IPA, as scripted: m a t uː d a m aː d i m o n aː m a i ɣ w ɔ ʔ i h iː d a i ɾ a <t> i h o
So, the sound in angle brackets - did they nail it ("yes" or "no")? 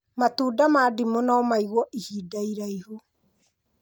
no